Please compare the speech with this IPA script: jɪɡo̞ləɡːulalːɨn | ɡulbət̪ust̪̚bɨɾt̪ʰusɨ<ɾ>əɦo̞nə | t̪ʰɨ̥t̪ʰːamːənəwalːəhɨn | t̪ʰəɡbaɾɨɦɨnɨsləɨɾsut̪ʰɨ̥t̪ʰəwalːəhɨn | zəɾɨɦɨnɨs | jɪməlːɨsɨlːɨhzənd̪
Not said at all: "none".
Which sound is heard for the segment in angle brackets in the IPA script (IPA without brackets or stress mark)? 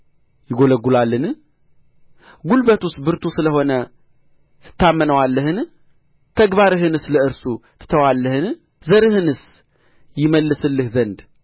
l